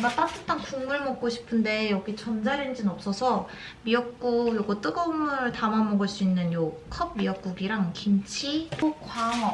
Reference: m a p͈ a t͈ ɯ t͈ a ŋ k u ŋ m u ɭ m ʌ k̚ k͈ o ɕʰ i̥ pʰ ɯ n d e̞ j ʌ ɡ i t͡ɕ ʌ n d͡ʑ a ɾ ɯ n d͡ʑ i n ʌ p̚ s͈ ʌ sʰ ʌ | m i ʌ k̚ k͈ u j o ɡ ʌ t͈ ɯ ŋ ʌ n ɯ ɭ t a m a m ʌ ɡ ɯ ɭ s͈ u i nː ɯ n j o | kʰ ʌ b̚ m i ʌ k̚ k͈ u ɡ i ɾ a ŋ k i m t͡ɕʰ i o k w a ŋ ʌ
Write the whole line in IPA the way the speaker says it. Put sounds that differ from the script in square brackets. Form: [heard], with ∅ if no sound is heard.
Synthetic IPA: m a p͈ a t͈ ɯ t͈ a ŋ k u ŋ m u ɭ m ʌ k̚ k͈ o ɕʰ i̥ pʰ ɯ n d e̞ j ʌ ɡ i t͡ɕ ʌ n d͡ʑ a ɾ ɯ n d͡ʑ i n ʌ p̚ s͈ ʌ sʰ ʌ | m i ʌ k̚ k͈ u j o ɡ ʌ t͈ ɯ [ɡ] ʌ [m] ɯ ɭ t a m a m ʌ ɡ ɯ ɭ s͈ u i nː ɯ n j o | kʰ ʌ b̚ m i ʌ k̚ k͈ u ɡ i ɾ a ŋ k i m t͡ɕʰ i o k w a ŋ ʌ